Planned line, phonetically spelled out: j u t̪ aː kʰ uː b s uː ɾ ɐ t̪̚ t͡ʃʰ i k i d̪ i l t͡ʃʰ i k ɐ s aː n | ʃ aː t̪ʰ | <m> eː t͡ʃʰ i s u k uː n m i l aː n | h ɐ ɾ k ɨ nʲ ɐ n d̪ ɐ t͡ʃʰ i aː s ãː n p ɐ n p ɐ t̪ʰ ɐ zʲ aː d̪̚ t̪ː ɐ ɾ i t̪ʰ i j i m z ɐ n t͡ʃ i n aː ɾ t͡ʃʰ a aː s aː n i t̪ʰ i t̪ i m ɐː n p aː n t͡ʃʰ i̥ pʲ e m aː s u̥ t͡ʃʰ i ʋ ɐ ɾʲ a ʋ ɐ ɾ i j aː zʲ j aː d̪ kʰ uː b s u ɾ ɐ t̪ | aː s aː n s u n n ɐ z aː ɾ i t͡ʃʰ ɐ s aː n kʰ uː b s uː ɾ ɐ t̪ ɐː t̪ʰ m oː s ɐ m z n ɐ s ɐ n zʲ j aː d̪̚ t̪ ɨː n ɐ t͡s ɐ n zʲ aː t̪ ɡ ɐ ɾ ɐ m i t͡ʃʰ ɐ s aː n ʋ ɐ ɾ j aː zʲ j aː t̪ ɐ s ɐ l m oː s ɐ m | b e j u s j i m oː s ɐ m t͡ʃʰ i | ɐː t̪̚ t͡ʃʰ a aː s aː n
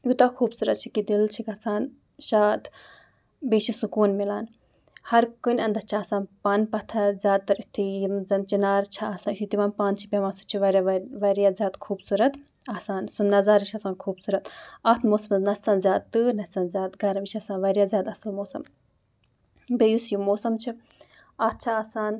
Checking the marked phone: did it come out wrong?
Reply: yes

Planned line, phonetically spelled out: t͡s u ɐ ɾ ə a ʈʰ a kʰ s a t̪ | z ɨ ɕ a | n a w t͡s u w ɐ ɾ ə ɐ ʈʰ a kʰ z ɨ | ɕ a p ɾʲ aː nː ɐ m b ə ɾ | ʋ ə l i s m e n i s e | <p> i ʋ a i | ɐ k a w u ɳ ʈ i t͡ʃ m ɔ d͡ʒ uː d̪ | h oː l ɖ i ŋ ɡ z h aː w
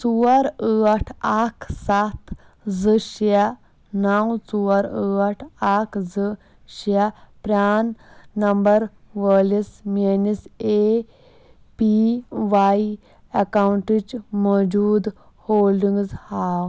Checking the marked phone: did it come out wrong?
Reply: no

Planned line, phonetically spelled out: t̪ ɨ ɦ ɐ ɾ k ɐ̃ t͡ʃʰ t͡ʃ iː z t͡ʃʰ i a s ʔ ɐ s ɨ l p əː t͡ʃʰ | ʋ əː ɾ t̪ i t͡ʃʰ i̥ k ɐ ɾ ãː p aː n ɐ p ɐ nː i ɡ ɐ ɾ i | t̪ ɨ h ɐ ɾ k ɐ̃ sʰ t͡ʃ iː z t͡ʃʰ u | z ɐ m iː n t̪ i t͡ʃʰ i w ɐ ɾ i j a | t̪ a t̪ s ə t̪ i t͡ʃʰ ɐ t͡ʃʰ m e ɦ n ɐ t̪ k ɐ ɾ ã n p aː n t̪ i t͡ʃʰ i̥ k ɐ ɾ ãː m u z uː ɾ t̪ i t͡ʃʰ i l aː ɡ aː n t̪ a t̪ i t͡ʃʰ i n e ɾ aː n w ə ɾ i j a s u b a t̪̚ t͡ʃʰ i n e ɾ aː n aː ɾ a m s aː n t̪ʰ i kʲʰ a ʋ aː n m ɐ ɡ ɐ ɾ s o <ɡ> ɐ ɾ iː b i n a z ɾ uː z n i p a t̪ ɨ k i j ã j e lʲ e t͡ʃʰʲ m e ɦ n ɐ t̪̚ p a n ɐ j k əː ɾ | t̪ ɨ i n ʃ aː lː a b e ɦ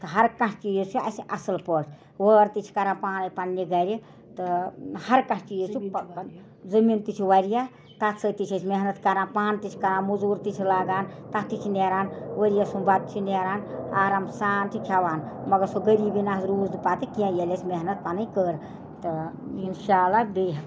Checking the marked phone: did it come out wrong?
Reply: no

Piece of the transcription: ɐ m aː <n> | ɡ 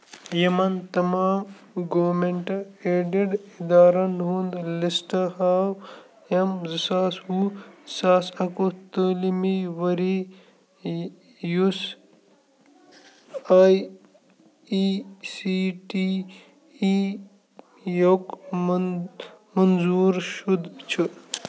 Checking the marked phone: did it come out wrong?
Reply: yes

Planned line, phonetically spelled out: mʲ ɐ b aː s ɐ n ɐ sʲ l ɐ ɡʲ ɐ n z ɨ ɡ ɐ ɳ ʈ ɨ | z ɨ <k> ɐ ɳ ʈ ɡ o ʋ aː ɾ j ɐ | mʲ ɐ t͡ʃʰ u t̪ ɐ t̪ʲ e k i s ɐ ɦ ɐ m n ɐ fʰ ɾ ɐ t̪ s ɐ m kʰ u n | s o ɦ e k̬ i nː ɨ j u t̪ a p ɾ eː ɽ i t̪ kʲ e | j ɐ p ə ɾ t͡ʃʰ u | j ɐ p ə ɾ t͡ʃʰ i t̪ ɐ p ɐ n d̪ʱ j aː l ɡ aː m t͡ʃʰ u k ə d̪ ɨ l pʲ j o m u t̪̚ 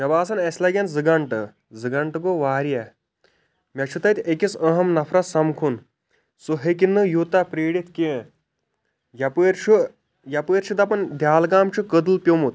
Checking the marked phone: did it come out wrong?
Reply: yes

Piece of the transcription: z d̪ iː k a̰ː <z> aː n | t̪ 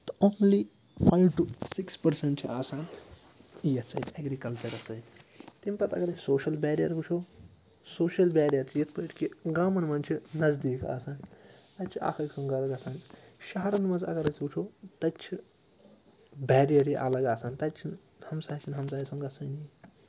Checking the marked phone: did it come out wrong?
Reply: yes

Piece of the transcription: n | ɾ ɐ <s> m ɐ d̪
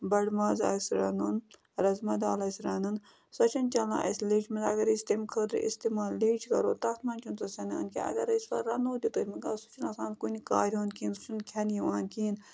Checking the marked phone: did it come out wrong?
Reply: yes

